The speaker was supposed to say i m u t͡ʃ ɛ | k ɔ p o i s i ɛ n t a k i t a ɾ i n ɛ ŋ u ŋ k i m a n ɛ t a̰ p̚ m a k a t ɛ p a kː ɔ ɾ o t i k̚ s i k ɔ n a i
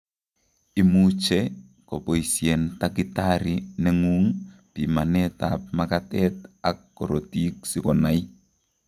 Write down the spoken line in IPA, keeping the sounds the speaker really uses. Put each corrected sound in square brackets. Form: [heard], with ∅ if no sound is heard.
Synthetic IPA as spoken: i m u t͡ʃ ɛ | k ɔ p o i s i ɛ n t a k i t a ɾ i n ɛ ŋ u ŋ [p] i m a n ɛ t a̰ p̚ m a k a t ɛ [t] a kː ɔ ɾ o t i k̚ s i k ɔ n a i

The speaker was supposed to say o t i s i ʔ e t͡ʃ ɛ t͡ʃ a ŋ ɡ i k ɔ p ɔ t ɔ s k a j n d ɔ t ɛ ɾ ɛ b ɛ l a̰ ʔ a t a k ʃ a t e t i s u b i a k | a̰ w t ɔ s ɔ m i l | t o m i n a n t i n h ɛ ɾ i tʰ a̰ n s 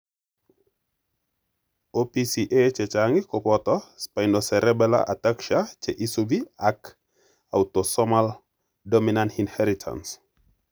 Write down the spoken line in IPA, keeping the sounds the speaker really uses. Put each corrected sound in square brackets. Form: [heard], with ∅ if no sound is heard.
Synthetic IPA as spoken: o [p] i s i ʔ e t͡ʃ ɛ t͡ʃ a ŋ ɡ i k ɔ p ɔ t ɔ s [p] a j n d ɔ [s] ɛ ɾ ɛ b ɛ l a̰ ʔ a t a k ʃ a [t͡ʃ] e [ʔ] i s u b i a k | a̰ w t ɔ s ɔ m [a] l | [d] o m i n a n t i n h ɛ ɾ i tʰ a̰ n s

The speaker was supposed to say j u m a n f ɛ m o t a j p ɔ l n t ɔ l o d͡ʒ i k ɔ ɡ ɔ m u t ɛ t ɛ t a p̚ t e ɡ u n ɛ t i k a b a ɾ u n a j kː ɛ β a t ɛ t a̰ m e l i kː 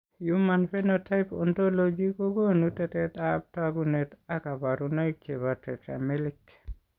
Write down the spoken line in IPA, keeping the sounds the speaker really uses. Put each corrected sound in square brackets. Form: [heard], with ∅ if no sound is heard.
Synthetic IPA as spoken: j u m a n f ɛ [n] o t a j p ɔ [∅] n t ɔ l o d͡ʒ i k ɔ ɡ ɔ [n] u t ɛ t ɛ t a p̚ t [a] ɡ u n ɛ t [a] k a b a ɾ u n a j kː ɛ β a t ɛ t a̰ m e l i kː

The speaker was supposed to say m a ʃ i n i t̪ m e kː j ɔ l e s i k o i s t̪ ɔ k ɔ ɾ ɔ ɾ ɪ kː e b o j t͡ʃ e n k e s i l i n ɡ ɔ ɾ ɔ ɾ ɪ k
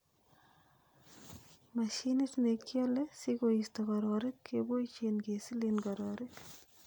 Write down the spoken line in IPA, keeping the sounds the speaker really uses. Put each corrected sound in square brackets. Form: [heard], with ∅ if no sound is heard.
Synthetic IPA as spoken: m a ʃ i n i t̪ [n] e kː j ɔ l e s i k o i s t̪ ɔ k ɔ ɾ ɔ ɾ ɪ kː e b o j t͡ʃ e n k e s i l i n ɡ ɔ ɾ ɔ ɾ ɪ k

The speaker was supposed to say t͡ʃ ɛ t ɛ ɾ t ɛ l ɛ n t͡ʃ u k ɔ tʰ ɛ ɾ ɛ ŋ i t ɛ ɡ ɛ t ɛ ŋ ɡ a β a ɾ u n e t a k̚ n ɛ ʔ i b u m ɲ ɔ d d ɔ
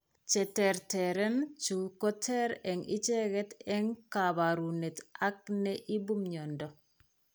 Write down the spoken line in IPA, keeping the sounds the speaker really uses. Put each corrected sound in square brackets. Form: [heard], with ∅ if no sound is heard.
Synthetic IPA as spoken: t͡ʃ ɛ t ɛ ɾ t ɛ [ɾ] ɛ n t͡ʃ u k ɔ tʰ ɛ ɾ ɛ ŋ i [t͡ʃ] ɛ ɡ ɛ t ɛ ŋ [k] a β a ɾ u n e t a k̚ n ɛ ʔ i b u m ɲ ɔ [n] d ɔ

